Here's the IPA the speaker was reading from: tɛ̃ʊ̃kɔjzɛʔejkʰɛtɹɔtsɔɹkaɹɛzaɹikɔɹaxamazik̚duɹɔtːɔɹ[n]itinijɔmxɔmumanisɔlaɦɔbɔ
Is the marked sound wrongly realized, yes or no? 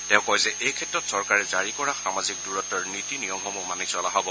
no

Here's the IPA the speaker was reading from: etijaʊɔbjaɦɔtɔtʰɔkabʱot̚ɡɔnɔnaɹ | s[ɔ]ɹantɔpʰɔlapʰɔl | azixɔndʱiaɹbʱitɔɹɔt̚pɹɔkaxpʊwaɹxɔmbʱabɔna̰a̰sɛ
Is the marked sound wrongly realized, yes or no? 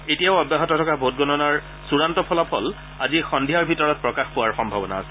yes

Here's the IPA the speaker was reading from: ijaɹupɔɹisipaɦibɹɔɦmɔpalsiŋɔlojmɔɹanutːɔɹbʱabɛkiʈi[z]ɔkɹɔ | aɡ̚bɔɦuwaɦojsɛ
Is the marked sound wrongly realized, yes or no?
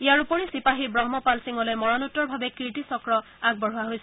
yes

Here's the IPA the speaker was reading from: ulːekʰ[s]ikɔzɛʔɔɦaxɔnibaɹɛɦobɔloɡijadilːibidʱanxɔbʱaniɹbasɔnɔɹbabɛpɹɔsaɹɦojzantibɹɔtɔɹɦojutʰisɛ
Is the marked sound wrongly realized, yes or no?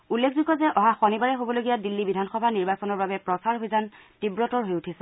yes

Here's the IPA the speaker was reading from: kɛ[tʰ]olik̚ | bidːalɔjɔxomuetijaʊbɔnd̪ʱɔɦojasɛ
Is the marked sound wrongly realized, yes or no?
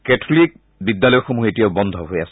no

